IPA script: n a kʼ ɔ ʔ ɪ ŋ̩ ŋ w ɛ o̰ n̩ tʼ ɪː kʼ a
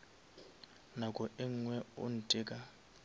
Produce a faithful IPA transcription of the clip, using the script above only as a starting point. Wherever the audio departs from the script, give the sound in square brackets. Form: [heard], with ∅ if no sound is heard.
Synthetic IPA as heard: n a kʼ ɔ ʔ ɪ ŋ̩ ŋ w ɛ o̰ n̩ tʼ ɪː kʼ a